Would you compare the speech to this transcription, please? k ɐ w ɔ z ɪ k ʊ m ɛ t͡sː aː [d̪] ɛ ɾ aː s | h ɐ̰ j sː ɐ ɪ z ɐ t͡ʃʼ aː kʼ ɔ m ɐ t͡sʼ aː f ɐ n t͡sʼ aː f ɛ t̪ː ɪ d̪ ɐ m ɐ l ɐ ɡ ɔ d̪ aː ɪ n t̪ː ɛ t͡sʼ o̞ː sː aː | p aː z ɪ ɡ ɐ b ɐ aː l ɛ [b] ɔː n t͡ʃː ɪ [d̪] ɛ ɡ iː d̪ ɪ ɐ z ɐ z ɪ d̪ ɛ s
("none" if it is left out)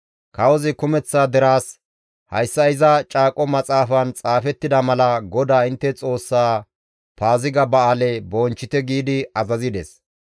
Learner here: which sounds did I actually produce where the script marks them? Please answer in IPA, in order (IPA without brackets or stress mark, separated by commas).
d̪, b, t̪